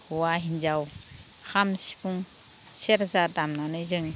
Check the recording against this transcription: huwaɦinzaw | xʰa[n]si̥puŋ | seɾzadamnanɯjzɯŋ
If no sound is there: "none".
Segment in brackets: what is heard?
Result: m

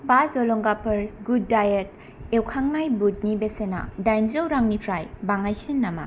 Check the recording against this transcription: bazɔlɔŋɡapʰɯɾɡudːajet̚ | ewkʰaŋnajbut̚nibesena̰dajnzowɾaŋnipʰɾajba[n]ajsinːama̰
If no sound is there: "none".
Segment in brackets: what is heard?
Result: ŋ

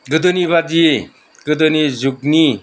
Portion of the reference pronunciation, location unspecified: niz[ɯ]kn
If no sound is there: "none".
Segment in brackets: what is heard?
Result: u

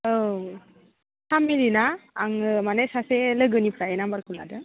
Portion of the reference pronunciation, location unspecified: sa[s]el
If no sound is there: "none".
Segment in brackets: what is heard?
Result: s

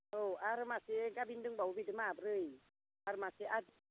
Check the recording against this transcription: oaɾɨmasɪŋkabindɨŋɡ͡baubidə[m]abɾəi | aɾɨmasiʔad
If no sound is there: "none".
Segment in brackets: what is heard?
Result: m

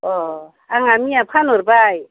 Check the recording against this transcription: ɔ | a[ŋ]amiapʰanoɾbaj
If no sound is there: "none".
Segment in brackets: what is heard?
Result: ŋ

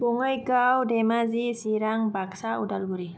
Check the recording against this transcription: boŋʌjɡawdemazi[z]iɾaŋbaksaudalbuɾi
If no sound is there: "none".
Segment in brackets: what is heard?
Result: s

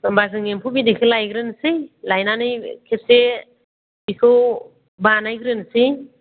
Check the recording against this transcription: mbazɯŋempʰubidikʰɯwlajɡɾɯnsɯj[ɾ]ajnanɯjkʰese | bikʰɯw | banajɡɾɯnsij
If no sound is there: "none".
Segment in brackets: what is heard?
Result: l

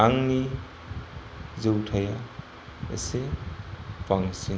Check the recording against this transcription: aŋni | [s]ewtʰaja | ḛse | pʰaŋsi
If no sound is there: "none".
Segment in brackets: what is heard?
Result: z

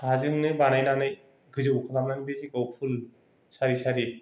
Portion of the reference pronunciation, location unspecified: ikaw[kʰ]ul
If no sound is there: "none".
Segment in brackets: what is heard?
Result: pʰ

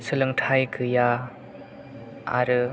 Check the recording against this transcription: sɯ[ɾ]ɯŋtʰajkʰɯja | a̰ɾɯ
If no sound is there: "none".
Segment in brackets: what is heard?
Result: l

